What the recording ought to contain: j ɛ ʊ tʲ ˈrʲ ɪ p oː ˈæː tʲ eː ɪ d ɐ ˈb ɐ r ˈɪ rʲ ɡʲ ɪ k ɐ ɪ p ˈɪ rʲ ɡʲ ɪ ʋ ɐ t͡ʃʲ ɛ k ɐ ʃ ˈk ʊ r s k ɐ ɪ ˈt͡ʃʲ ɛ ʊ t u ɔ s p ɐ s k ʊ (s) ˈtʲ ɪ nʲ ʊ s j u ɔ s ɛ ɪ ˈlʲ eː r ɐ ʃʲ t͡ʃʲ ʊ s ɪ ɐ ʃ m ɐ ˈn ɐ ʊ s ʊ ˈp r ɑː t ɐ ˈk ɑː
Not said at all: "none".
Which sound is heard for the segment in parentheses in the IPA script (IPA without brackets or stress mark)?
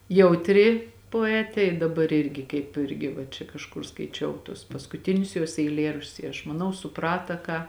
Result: none